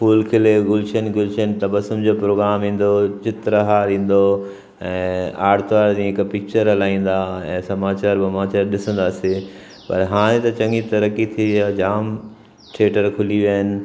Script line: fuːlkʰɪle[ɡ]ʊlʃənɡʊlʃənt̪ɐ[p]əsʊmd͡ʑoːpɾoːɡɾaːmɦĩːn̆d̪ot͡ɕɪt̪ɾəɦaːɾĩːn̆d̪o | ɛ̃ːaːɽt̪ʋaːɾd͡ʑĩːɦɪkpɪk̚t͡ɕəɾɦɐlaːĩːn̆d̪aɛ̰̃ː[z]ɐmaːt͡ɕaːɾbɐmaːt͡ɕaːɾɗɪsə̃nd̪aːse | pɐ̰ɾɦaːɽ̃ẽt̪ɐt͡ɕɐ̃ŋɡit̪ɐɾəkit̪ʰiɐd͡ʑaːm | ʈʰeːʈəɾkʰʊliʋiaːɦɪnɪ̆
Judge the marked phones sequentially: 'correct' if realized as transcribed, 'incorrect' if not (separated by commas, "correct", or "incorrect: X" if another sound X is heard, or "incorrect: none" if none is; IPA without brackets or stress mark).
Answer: correct, incorrect: b, incorrect: s